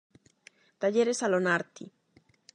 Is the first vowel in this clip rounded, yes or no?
no